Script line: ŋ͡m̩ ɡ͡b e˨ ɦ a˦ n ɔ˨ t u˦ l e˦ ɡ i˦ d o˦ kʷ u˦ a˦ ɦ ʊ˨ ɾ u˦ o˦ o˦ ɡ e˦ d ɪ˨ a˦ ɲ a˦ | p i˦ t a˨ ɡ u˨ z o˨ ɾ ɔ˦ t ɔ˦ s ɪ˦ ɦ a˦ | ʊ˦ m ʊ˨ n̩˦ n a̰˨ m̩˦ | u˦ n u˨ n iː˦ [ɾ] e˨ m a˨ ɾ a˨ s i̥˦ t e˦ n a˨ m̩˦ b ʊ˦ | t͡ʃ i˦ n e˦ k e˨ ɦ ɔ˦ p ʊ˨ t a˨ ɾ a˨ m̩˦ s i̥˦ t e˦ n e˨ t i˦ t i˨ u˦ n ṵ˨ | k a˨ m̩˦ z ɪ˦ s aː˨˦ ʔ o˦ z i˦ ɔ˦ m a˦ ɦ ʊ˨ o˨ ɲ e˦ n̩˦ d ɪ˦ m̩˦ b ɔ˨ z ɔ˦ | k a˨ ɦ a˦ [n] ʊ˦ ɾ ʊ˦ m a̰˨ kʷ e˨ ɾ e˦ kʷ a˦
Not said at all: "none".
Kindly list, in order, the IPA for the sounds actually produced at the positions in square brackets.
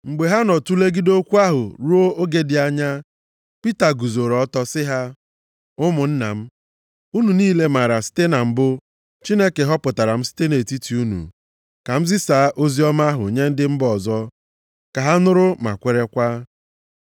l, n

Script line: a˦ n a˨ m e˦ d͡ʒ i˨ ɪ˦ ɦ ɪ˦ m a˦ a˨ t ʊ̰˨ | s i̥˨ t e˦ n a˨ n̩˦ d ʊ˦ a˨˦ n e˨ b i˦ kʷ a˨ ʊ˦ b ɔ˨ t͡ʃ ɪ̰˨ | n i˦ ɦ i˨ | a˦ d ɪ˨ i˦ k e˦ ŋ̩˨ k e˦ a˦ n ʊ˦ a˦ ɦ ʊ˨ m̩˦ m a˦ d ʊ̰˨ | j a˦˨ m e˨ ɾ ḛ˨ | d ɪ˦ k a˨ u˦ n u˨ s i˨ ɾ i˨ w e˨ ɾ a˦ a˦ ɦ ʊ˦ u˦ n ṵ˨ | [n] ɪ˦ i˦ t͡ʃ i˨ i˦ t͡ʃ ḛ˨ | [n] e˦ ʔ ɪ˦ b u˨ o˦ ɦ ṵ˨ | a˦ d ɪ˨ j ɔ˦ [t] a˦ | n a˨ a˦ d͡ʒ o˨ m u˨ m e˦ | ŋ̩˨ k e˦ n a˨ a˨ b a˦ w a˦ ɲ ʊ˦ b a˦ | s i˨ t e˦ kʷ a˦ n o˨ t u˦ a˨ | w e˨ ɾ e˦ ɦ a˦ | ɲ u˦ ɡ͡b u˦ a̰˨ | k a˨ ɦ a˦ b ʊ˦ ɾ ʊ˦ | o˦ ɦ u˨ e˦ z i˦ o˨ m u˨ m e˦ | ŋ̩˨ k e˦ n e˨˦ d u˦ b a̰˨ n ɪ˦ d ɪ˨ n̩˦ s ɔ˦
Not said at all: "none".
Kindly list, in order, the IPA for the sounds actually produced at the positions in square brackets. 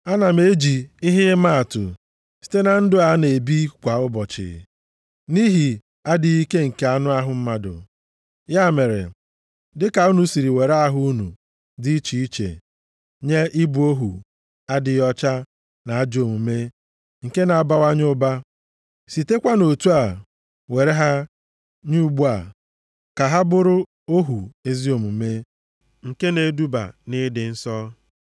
d, ɲ, t͡ʃ

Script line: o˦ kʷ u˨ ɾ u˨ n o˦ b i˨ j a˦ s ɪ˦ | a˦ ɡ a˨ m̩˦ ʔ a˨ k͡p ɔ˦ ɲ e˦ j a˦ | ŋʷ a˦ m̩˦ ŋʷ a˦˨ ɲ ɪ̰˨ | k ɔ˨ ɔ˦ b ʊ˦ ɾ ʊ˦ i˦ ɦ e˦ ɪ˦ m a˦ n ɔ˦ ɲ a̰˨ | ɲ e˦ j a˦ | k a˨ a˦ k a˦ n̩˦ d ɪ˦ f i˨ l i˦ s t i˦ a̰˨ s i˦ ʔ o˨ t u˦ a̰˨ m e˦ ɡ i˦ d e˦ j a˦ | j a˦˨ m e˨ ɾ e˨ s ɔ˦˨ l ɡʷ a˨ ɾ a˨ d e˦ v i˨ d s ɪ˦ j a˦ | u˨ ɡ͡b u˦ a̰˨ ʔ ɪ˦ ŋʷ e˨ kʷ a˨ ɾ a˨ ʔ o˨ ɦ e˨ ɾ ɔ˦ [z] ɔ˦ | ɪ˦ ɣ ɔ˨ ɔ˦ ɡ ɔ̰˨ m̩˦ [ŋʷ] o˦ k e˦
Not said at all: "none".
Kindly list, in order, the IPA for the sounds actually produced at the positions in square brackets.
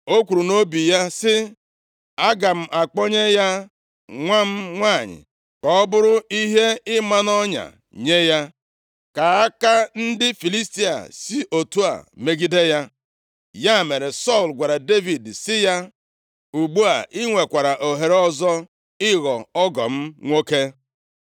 z, ŋʷ

